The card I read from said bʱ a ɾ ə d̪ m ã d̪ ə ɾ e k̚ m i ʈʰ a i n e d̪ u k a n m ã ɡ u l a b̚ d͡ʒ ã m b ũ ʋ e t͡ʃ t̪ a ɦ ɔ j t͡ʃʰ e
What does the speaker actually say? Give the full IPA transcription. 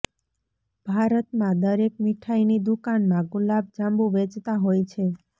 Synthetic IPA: bʱ a ɾ ə t̪ m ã d̪ ə ɾ e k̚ m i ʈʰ a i n i d̪ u k a n m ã ɡ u l a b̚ d͡ʒ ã m b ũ ʋ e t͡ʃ t̪ a ɦ o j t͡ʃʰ e